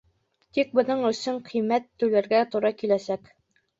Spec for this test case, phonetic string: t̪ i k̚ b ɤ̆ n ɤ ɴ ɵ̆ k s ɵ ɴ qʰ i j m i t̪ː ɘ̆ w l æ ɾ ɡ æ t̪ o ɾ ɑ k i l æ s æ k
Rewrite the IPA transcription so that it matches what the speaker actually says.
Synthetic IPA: t̪ i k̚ b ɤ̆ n ɤ ɴ ɵ̆ s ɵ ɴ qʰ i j m æ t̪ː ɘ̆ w l æ ɾ ɡ æ t̪ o ɾ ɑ k i l æ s æ k